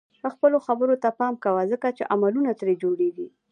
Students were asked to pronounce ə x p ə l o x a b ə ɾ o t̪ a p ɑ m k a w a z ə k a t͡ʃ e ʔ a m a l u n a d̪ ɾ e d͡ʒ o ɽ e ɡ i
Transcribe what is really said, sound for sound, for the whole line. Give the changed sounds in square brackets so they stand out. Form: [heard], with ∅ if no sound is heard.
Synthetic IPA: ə x p ə l o x a b ə ɾ o t̪ a p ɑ m k a w a z ə k a t͡ʃ e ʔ a m a l u n a [t̪] ɾ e d͡ʒ o ɽ e ɡ i

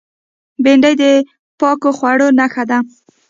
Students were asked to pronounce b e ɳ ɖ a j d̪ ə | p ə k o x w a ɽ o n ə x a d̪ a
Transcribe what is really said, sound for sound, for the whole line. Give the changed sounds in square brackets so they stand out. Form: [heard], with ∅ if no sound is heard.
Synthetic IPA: b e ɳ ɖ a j d̪ ə | p [ɑ] k o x w a ɽ o n [a] x a d̪ a

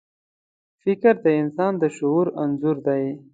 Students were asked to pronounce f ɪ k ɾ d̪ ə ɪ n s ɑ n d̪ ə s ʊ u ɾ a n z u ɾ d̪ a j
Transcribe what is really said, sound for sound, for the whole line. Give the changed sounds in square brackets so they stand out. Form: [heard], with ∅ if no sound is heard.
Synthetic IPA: f ɪ k ɾ d̪ ə ɪ n s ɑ n d̪ ə [ʃ] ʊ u ɾ a n z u ɾ d̪ a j

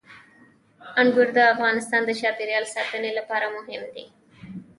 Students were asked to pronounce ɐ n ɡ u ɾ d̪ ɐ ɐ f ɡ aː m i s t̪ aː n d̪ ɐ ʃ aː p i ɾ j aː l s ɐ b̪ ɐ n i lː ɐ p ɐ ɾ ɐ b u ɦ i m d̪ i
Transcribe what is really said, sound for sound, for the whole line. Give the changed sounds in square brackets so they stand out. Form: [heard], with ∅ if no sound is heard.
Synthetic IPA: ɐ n ɡ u ɾ d̪ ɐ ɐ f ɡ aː [n] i s t̪ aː n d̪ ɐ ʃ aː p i ɾ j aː l s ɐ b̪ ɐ n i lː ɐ p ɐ ɾ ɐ [m] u ɦ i m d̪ i

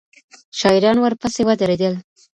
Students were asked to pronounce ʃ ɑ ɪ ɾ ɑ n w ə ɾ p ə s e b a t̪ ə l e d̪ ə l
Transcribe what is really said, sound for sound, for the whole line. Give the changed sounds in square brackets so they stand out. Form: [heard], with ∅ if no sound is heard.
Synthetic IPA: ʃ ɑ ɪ ɾ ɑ n w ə ɾ p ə s e [w] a [d̪] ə [ɾ] e d̪ ə l

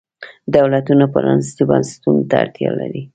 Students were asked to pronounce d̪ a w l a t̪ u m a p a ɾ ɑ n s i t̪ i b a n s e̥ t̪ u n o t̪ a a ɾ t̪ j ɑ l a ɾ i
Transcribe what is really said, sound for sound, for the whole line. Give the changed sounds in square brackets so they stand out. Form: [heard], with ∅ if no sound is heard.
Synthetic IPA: d̪ a w l a t̪ u [n] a p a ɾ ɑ n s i t̪ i b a n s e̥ t̪ u n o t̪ a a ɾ t̪ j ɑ l a ɾ i

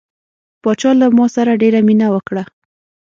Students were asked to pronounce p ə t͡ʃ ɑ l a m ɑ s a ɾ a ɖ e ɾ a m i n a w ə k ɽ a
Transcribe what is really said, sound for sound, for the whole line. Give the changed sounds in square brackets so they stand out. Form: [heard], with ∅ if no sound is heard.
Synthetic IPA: p [ɑ] t͡ʃ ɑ l a m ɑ s a ɾ a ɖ e ɾ a m i n a w ə k ɽ a

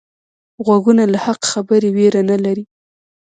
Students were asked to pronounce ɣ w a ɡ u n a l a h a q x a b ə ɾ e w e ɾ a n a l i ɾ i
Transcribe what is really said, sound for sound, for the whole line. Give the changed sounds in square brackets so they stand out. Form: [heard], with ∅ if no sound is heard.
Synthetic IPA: ɣ w a ɡ u n a l a h a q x a b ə ɾ e w e ɾ a n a l [a] ɾ i

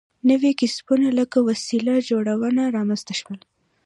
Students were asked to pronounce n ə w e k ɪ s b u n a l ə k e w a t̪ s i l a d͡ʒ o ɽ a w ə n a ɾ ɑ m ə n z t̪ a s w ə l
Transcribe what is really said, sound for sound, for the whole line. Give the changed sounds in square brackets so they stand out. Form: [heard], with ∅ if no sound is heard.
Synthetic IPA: n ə w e k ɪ s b u n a l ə k [a] w a [∅] s i l a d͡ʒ o ɽ a w ə n a ɾ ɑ m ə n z t̪ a [ʃ] w ə l

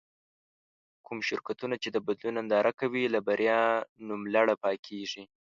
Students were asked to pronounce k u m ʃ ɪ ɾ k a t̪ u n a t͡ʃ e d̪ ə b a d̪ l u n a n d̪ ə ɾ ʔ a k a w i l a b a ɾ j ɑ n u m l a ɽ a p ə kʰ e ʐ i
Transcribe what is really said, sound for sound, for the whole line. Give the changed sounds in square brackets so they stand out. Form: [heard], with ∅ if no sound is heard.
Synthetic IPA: k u m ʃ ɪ ɾ k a t̪ u n a t͡ʃ e d̪ ə b a d̪ l u n a n d̪ [ɑ] ɾ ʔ a k a w i l a b a ɾ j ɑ n u m l a ɽ a p [ɑ] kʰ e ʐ i

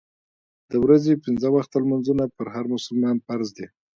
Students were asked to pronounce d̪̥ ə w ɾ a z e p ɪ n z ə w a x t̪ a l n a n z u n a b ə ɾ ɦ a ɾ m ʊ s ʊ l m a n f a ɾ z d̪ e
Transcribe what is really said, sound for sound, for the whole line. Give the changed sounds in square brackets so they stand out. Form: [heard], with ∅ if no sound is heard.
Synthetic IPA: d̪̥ ə w ɾ a z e p ɪ n z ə w a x t̪ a l [m] a n z u n a [p] ə ɾ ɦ a ɾ m ʊ s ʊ l m [ɑ] n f a ɾ z d̪ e

